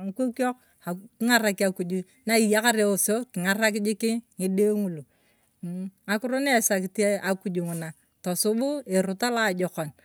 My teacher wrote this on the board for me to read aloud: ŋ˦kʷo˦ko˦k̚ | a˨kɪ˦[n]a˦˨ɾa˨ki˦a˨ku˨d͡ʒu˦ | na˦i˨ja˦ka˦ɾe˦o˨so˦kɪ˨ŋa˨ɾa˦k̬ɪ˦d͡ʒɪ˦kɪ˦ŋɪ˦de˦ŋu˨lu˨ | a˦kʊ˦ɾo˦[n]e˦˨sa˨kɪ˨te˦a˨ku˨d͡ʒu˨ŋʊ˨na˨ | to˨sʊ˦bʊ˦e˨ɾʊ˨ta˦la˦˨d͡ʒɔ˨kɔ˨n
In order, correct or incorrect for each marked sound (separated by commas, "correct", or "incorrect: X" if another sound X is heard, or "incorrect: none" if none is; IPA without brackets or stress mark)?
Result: incorrect: ŋ, correct